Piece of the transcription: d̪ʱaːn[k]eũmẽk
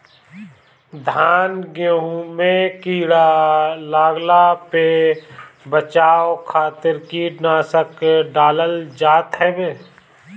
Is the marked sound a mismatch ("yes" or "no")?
yes